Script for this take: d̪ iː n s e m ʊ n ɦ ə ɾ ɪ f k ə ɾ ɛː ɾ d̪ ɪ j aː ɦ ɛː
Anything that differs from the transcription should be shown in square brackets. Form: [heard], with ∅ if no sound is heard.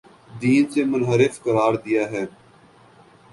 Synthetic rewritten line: d̪ iː n s e m ʊ n ɦ ə ɾ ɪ f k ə ɾ [aː] ɾ d̪ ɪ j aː ɦ ɛː